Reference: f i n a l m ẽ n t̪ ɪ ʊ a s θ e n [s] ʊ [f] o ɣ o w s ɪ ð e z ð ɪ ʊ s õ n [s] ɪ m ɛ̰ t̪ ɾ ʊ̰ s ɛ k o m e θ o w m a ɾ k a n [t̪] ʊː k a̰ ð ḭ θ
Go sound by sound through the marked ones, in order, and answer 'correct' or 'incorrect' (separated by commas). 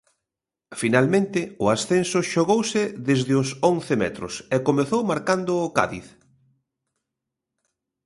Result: correct, incorrect, incorrect, incorrect